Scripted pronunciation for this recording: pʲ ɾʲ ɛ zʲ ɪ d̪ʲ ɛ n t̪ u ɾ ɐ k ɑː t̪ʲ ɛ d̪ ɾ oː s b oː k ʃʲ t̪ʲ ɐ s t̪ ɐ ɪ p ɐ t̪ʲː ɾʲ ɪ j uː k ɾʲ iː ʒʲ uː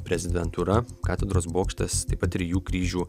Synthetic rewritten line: pʲ ɾʲ ɛ zʲ ɪ d̪ʲ ɛ n t̪ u ɾ ɐ k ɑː t̪ʲ ɛ d̪ ɾ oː s b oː k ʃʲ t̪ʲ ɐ s t̪ ɐ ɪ p ɐ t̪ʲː ɾʲ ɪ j uː k ɾʲ iː ʒʲ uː